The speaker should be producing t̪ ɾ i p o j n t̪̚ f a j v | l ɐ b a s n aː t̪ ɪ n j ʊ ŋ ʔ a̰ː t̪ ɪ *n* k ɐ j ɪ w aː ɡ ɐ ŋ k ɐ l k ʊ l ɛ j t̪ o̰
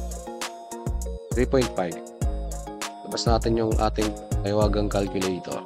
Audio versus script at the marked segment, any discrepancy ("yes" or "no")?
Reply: yes